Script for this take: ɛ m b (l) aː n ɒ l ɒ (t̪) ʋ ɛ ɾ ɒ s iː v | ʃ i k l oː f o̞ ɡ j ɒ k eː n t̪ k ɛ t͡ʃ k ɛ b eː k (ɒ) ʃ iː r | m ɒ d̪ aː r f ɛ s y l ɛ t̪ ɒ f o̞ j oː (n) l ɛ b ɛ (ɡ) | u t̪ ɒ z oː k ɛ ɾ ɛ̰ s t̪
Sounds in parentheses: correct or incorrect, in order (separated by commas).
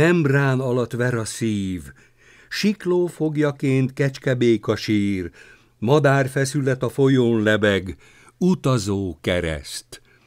incorrect, correct, correct, correct, correct